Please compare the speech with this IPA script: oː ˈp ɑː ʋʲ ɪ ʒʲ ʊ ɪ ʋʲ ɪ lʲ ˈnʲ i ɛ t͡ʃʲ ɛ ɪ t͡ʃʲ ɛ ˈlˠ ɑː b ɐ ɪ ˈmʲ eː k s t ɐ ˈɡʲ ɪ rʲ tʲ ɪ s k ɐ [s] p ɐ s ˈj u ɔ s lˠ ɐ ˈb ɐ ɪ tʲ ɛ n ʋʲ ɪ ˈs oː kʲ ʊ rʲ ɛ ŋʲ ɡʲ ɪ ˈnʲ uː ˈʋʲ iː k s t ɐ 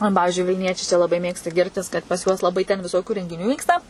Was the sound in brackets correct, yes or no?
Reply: no